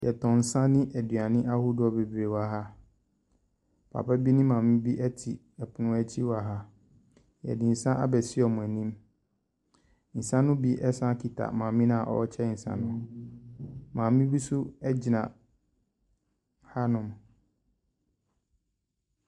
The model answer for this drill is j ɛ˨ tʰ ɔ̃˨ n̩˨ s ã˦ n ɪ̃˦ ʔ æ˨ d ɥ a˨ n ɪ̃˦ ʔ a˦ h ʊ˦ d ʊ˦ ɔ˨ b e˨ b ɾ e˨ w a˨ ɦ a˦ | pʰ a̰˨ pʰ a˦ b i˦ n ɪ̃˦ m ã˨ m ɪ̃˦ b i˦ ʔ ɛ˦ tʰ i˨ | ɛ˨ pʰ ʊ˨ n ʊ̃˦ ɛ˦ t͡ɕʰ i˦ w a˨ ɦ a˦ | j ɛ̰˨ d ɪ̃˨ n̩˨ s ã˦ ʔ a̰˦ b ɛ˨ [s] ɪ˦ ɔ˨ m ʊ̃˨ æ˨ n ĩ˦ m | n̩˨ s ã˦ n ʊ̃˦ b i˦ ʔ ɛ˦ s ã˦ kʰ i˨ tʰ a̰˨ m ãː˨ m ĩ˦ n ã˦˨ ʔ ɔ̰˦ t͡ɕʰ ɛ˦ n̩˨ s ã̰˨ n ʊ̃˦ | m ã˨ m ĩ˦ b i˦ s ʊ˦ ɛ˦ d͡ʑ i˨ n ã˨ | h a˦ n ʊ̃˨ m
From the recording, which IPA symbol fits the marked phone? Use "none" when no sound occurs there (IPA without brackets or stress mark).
s